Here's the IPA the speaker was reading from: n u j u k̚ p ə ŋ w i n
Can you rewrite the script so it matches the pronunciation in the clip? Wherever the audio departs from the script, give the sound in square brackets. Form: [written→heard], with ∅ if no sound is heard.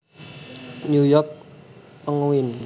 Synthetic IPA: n u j [u→ɔ] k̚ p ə ŋ w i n